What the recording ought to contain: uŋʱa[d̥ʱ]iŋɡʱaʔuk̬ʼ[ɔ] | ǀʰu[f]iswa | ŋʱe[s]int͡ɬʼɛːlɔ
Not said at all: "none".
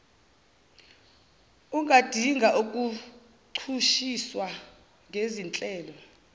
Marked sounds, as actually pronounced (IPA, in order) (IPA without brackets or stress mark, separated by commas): d̥ʱ, u, ʃ, z